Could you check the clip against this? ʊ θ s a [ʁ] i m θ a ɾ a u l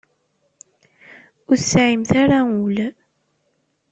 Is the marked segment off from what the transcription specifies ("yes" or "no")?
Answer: yes